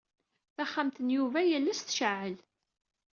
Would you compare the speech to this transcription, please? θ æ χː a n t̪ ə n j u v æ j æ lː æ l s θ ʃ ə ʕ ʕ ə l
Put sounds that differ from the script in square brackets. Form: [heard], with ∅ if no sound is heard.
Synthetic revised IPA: θ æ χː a [m] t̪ ə n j u v æ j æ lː æ [∅] s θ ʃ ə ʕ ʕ ə l